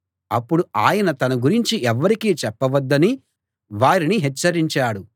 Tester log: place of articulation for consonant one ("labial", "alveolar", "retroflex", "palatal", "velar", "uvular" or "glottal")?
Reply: labial